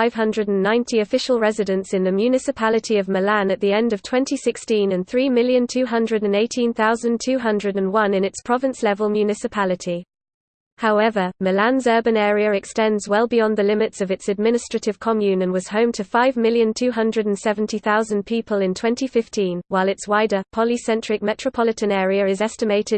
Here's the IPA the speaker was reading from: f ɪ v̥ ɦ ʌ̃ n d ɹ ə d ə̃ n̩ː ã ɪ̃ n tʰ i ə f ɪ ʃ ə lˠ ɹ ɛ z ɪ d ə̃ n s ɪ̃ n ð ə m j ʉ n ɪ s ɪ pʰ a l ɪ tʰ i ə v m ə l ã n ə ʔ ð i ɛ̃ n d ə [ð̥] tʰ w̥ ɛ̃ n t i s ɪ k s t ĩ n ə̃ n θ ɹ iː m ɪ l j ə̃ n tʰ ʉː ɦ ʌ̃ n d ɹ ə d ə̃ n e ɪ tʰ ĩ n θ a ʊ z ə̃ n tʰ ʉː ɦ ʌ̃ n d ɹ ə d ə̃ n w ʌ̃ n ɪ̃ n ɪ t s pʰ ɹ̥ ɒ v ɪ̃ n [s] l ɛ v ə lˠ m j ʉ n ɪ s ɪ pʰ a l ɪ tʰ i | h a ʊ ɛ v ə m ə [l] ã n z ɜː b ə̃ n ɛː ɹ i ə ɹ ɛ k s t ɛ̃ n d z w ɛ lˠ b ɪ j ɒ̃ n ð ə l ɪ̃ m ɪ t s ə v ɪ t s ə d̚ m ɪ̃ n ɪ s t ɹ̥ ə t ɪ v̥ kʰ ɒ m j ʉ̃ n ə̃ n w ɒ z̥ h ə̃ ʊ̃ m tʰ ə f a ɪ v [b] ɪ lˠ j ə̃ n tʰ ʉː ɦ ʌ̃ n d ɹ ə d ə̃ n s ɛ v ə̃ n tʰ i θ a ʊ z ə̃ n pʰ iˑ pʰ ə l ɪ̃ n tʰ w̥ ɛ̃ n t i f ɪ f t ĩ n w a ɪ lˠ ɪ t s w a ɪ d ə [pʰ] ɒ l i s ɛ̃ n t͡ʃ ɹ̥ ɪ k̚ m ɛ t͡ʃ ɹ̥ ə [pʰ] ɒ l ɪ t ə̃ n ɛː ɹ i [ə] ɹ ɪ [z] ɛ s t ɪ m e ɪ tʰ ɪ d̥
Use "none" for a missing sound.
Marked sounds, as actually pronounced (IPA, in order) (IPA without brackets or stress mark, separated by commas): v̥, s, l, m, pʰ, pʰ, ə, z